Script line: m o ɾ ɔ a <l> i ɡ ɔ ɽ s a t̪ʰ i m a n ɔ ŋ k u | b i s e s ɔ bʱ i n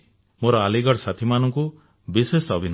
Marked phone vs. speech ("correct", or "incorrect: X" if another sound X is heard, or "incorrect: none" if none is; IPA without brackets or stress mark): correct